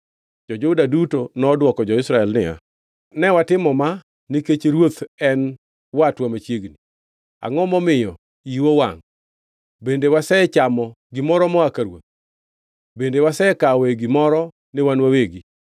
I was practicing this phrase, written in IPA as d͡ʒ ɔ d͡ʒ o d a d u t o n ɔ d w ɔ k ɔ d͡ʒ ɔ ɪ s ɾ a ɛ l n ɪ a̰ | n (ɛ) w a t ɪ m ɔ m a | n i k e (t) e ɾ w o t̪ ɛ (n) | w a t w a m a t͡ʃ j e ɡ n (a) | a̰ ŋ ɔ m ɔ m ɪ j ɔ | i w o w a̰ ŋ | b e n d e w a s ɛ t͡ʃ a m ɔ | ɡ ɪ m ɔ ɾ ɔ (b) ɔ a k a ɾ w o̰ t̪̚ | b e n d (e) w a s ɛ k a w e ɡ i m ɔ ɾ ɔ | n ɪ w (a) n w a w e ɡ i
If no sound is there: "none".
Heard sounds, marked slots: ɛ, t͡ʃ, n, i, m, e, a

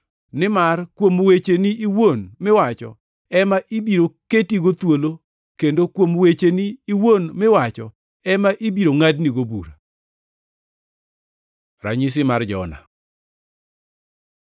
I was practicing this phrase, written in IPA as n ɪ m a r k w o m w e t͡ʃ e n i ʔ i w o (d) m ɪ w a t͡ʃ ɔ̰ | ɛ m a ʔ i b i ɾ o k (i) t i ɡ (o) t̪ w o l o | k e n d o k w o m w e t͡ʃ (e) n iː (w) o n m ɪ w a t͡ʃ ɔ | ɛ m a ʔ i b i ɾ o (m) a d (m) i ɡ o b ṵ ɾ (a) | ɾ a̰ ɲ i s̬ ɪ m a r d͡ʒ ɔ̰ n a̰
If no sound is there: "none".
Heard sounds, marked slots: n, e, o, e, w, ŋ, n, a

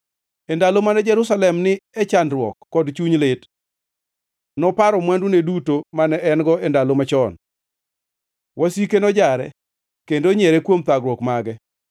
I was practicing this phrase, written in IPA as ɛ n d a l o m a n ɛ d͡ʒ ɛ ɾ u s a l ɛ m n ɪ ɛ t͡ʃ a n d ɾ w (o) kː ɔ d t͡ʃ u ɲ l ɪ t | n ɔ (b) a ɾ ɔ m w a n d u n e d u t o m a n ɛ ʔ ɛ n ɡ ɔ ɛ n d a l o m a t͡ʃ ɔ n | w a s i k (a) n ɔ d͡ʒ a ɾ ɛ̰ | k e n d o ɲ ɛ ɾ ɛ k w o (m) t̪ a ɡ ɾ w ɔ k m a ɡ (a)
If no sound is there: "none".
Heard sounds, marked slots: ɔ, p, e, m, ɛ

